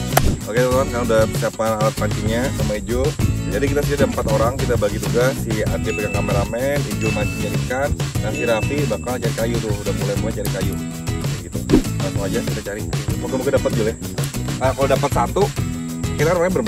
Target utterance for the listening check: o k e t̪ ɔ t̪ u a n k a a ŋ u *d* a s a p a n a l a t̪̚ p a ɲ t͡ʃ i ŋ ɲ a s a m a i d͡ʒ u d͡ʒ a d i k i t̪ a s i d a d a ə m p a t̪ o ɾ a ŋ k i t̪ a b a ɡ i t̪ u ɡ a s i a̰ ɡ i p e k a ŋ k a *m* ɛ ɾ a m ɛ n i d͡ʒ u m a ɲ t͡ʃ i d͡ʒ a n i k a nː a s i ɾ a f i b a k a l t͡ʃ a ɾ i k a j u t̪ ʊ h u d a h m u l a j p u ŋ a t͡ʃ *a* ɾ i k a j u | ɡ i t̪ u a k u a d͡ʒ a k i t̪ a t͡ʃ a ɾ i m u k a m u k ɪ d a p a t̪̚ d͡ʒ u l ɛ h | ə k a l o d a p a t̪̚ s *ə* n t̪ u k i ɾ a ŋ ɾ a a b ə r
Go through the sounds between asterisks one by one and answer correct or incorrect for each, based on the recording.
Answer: correct, correct, correct, incorrect: a

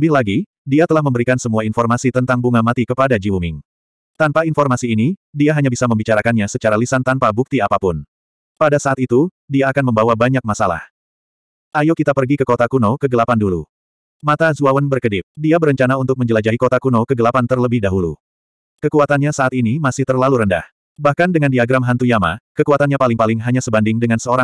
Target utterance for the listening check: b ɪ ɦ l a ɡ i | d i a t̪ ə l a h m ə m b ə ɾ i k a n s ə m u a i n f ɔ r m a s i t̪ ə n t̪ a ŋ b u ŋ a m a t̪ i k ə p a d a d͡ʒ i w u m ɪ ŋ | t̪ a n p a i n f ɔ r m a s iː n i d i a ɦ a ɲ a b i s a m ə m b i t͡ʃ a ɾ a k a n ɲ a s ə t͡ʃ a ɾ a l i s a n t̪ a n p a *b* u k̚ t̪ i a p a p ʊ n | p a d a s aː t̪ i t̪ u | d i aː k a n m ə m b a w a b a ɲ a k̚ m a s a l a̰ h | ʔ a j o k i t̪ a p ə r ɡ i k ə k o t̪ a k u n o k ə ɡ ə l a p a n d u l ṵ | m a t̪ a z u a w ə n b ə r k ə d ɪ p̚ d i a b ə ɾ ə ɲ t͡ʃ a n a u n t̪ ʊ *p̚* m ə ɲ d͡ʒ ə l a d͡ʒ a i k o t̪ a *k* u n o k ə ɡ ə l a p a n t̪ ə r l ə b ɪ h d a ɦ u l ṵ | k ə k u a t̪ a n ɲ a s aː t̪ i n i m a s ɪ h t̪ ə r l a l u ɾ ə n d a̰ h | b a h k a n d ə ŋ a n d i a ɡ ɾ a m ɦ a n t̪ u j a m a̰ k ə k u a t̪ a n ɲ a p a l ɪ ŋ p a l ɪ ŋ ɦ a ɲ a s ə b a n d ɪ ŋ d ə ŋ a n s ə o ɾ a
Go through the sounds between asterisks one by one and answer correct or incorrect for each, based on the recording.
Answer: correct, incorrect: k̚, correct

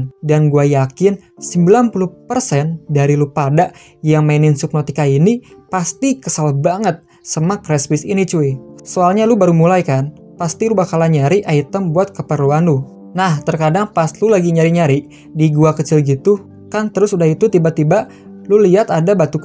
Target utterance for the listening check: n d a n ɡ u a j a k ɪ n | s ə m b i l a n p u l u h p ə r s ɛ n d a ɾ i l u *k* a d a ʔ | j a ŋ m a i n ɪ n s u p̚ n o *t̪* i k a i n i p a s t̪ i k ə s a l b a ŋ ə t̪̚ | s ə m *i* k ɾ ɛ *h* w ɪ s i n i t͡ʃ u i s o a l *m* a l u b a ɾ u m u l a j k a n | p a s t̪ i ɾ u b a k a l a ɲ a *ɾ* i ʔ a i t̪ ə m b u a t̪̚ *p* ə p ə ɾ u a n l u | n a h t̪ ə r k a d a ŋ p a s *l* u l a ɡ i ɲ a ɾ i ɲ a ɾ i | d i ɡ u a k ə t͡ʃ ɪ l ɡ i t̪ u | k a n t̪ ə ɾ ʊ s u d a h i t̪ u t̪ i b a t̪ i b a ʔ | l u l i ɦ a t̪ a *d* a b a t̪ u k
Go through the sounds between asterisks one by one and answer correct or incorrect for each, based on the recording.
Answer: incorrect: p, correct, incorrect: a, incorrect: s, incorrect: ɲ, correct, incorrect: k, correct, correct

